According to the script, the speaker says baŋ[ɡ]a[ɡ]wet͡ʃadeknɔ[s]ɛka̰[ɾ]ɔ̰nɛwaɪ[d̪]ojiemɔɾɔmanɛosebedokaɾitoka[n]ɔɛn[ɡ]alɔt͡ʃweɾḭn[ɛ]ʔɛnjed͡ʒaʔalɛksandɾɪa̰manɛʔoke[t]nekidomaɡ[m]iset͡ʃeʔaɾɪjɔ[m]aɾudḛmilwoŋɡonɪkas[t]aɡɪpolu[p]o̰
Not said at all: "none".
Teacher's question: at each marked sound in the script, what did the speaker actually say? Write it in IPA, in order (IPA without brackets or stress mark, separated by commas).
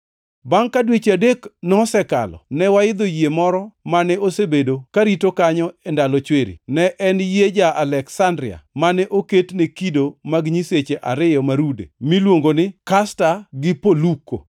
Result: k, d, s, l, d̪, ɲ, d, ɛ, t, ɲ, m, t, k